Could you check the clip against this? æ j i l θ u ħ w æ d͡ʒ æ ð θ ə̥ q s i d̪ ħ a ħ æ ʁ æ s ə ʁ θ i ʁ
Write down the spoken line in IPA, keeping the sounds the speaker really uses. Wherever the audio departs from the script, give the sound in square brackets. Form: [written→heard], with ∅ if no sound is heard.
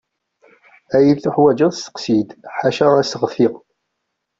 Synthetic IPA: æ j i l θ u ħ w æ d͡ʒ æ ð [θ→s] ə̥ q s i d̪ ħ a [ħ→ʃ] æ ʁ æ s ə ʁ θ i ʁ